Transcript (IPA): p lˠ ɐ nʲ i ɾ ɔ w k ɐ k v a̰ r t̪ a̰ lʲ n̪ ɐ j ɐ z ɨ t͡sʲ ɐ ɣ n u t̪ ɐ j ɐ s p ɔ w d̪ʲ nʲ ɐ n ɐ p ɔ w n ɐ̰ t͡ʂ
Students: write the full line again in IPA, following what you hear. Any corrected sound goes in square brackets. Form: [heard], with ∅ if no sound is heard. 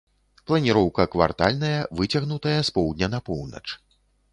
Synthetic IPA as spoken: p lˠ ɐ nʲ i ɾ ɔ w k ɐ k v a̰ r t̪ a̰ lʲ n̪ ɐ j ɐ [v] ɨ t͡sʲ ɐ ɣ n u t̪ ɐ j ɐ s p ɔ w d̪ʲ nʲ ɐ n ɐ p ɔ w n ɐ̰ t͡ʂ

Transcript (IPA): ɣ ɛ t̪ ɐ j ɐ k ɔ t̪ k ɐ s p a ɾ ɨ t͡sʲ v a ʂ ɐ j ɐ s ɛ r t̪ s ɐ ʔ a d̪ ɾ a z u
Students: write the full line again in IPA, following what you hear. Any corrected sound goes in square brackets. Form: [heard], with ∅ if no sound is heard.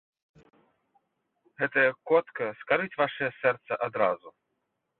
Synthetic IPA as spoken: ɣ ɛ t̪ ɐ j ɐ k ɔ t̪ k ɐ s [k] a ɾ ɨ t͡sʲ v a ʂ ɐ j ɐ s ɛ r t̪ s ɐ ʔ a d̪ ɾ a z u

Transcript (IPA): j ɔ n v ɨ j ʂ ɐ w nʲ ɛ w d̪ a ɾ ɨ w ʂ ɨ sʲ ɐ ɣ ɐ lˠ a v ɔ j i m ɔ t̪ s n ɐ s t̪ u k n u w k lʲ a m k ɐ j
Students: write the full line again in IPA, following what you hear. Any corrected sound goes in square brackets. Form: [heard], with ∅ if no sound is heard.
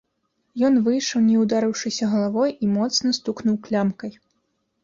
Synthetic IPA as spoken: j ɔ n v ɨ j ʂ ɐ w nʲ ɛ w d̪ a ɾ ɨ w ʂ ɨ sʲ ɐ ɣ ɐ lˠ a v ɔ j i m ɔ t̪ s n ɐ s t̪ u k n u w k lʲ a m k ɐ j

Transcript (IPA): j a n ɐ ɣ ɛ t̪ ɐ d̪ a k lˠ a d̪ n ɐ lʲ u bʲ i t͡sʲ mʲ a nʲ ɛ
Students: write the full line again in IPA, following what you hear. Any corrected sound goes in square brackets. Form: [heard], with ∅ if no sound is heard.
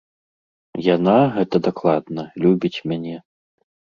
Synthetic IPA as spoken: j a n [a] ɣ ɛ t̪ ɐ d̪ a k lˠ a d̪ n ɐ lʲ u bʲ i t͡sʲ mʲ a nʲ ɛ

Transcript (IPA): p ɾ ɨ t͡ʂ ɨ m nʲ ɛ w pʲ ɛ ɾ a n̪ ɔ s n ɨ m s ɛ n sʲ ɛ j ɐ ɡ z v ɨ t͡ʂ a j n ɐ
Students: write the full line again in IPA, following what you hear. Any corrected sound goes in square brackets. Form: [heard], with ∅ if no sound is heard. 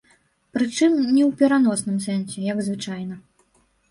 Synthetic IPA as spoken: p ɾ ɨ t͡ʂ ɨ m nʲ ɛ w pʲ ɛ ɾ a n̪ ɔ s n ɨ m s ɛ n sʲ ɛ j ɐ ɡ z v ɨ t͡ʂ a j n ɐ

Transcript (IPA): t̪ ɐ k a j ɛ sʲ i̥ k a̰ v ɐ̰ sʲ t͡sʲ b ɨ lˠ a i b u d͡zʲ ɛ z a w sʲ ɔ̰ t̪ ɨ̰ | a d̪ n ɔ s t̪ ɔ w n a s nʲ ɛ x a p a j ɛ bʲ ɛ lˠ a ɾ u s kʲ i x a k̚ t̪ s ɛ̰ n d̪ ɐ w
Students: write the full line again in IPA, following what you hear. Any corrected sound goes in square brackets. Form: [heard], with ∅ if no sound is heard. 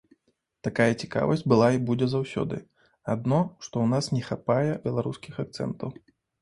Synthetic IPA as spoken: t̪ [a] k a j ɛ [t͡sʲ] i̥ k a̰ v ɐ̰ sʲ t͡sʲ b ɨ lˠ a i b u d͡zʲ ɛ z a w sʲ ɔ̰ [d̪] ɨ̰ | a d̪ n ɔ [ʂ] t̪ ɔ w n a s nʲ ɛ x a p a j ɛ bʲ ɛ lˠ a ɾ u s kʲ i x a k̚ t̪ s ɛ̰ n [t̪] ɐ w

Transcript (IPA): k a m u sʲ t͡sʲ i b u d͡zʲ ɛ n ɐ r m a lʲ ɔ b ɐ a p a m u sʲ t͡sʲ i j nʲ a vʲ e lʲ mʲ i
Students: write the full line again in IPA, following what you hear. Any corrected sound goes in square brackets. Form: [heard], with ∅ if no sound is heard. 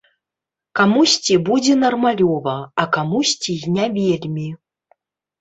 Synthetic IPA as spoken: k a m u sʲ t͡sʲ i b u d͡zʲ ɛ n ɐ r m a lʲ ɔ [v] ɐ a [k] a m u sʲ t͡sʲ i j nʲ a vʲ e lʲ mʲ i

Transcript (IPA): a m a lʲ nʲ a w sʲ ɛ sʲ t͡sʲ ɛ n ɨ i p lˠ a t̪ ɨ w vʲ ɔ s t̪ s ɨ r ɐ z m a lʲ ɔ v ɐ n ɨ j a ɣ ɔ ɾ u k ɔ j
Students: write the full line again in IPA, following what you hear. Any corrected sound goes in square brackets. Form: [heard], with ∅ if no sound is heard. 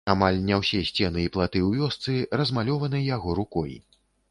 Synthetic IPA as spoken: a m a lʲ nʲ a w sʲ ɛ sʲ t͡sʲ ɛ n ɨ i p lˠ a t̪ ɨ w vʲ ɔ s t̪ s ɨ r ɐ z m a lʲ ɔ v ɐ n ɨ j a ɣ ɔ ɾ u k ɔ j

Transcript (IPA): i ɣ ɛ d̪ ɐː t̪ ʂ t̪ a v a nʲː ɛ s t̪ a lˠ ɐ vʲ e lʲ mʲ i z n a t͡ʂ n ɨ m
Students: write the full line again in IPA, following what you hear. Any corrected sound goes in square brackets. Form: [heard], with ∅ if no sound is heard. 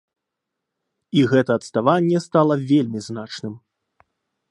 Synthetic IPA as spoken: i ɣ ɛ [t̪] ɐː t̪ [s] t̪ a v a nʲː ɛ s t̪ a lˠ ɐ vʲ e lʲ mʲ i z n a t͡ʂ n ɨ m

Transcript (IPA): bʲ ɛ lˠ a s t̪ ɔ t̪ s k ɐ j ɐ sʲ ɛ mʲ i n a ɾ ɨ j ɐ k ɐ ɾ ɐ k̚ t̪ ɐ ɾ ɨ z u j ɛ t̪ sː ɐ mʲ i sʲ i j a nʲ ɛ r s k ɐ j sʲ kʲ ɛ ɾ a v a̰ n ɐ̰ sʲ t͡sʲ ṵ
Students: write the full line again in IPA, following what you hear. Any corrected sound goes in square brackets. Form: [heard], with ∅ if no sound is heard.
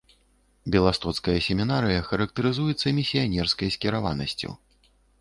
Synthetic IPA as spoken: bʲ ɛ lˠ a s t̪ ɔ t̪ s k ɐ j ɐ sʲ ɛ mʲ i n a ɾ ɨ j ɐ [x] ɐ ɾ ɐ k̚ t̪ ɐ ɾ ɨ z u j ɛ t̪ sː ɐ mʲ i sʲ i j a nʲ ɛ r s k ɐ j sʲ kʲ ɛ ɾ a v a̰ n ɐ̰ sʲ t͡sʲ ṵ

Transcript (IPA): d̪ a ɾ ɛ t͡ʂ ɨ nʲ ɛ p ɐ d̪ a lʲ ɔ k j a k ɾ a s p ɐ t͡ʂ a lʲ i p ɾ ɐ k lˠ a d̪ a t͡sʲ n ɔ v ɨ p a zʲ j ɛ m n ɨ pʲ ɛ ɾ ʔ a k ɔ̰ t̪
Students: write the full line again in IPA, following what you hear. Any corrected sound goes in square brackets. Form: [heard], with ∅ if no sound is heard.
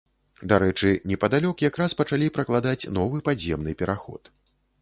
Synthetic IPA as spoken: d̪ a ɾ ɛ t͡ʂ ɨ nʲ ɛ p ɐ d̪ a lʲ ɔ k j a k ɾ a s p ɐ t͡ʂ a lʲ i p ɾ ɐ k lˠ a d̪ a t͡sʲ n ɔ v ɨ p a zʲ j ɛ m n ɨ pʲ ɛ ɾ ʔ a [x] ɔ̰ t̪

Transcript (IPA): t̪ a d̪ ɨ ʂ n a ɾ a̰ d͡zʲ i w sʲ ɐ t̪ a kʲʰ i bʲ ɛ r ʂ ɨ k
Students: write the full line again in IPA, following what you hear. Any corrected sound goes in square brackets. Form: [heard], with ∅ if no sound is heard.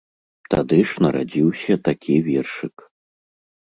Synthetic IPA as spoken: t̪ a d̪ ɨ ʂ n [ɐ] ɾ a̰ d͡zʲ i w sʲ ɐ t̪ a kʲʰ i [vʲ] ɛ r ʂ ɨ k

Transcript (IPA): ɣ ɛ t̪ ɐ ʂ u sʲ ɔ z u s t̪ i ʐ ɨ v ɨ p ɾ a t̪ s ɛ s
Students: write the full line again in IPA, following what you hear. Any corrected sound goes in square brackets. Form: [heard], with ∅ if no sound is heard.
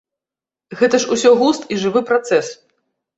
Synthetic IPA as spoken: ɣ ɛ t̪ ɐ ʂ u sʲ ɔ [ɣ] u s t̪ i ʐ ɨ v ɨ p ɾ a t̪ s ɛ s

